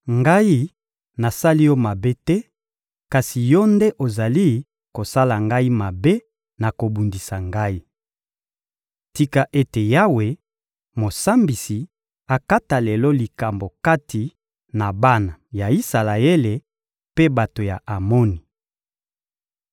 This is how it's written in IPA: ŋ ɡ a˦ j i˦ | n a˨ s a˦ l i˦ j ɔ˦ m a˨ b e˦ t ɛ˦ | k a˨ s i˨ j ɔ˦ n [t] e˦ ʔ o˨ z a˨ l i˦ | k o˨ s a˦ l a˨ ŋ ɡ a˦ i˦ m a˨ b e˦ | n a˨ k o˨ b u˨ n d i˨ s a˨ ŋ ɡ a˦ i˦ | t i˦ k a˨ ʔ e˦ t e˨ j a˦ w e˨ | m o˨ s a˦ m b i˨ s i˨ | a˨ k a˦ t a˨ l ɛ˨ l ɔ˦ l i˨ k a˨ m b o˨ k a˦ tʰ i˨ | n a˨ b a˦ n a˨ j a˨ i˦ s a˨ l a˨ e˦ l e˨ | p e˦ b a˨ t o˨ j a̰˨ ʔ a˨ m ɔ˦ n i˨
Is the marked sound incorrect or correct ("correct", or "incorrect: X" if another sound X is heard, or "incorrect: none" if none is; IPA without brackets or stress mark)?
incorrect: d